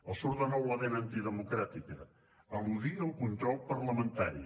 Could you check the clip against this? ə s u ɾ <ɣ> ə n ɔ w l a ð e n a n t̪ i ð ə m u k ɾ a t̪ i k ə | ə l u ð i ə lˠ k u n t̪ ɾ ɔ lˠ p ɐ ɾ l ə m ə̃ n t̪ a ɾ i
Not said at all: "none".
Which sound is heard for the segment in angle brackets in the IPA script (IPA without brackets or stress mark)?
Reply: ð